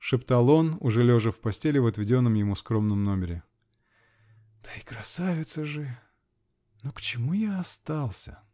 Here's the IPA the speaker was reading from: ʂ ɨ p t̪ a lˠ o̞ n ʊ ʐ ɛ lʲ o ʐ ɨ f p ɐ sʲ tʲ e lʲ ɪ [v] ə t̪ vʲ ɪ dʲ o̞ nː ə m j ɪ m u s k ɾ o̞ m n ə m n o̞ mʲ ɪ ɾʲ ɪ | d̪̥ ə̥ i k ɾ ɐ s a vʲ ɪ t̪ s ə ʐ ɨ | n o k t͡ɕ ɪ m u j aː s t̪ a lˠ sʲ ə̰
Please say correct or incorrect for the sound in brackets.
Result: correct